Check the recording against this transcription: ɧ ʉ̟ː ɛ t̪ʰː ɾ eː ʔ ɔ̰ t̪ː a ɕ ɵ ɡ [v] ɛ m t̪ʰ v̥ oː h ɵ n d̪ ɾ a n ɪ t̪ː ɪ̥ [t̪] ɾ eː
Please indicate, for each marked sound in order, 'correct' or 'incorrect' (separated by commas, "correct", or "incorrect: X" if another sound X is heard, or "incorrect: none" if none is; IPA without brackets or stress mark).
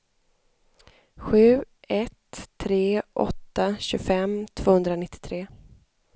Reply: incorrect: f, incorrect: t̪ʰ